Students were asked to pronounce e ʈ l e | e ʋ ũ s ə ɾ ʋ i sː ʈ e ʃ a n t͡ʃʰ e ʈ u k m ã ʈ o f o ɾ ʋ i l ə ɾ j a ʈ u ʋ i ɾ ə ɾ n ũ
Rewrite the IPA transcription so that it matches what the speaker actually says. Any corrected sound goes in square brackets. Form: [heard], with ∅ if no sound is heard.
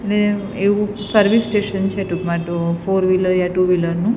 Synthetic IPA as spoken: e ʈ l e | e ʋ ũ s ə ɾ ʋ i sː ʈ e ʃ [ə] n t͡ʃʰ e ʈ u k m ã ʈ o f o ɾ ʋ i l ə ɾ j a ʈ u ʋ i [l] ə ɾ n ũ